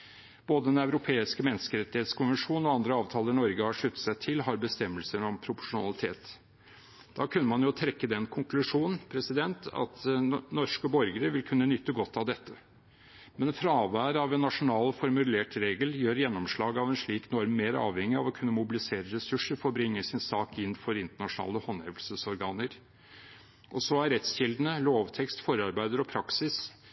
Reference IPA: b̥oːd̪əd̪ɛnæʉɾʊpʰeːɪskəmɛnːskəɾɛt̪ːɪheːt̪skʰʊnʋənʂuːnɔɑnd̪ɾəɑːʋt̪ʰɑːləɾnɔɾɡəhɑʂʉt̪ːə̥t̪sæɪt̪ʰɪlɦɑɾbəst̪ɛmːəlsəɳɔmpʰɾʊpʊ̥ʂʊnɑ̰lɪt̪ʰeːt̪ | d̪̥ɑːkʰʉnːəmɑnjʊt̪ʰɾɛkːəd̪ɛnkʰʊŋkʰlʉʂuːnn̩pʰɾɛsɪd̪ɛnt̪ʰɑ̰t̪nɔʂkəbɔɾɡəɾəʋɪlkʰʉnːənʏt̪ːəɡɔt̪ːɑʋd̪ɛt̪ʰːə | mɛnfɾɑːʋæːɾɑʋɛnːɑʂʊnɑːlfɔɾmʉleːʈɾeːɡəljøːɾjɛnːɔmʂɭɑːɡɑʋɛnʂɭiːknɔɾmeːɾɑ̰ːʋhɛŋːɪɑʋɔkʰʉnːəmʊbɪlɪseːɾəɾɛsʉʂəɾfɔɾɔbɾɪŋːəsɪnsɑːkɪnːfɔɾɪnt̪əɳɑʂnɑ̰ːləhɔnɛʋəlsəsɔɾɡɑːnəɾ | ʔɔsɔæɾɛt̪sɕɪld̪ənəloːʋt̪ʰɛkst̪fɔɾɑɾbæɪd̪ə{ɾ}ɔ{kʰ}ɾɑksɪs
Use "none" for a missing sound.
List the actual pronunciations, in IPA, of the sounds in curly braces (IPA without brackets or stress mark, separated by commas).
ɾ, pʰ